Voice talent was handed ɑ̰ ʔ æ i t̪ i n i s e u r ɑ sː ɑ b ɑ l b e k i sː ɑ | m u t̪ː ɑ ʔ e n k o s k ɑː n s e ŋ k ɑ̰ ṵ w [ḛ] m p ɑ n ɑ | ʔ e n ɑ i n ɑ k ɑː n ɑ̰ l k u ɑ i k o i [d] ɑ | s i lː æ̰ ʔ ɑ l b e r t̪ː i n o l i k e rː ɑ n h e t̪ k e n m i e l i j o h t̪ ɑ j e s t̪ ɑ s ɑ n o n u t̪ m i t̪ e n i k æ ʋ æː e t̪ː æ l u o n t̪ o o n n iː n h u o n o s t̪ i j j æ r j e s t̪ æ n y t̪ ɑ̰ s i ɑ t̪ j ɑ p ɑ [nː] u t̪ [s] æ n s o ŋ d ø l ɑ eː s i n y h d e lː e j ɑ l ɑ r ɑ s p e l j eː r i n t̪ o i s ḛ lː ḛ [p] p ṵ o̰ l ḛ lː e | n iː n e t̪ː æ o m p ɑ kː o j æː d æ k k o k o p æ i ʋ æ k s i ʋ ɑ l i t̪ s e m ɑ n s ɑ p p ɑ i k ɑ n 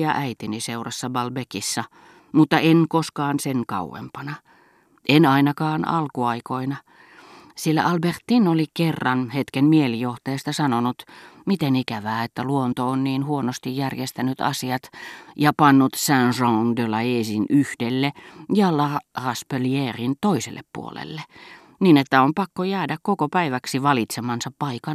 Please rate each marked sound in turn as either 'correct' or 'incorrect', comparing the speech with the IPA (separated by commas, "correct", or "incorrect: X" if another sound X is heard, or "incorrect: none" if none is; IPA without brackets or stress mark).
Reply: correct, incorrect: n, correct, correct, correct